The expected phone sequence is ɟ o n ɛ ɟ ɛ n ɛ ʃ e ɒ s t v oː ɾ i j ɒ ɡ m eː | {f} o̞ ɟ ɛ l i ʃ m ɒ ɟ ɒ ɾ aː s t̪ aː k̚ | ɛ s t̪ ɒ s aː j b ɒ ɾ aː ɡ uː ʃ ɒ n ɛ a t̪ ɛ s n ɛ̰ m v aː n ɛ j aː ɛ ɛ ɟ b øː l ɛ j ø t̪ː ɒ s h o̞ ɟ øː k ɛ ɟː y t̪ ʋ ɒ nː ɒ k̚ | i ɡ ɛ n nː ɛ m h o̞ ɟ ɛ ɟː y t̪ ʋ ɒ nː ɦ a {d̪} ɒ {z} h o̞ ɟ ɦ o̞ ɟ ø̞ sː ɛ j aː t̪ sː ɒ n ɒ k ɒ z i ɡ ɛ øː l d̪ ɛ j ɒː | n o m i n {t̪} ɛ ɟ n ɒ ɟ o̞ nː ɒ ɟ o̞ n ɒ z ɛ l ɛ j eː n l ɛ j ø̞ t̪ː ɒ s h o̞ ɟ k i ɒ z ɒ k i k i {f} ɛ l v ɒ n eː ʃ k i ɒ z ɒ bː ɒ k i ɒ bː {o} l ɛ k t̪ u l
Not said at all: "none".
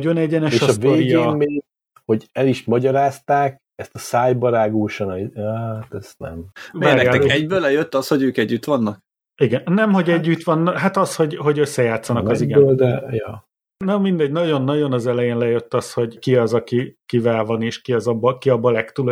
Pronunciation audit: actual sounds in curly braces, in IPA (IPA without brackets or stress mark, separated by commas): h, t̪, s, d̪, v, ɒ